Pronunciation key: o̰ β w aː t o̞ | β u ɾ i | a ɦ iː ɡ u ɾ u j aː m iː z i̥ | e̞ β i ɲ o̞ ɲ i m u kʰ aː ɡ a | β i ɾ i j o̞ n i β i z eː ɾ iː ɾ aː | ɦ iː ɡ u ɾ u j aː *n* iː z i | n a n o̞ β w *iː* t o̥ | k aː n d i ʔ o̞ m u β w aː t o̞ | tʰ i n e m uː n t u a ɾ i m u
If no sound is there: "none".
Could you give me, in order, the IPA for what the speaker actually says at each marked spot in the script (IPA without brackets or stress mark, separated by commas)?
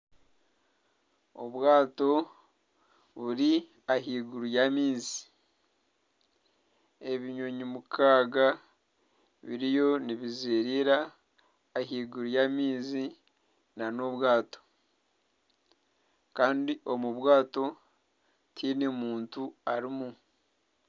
m, aː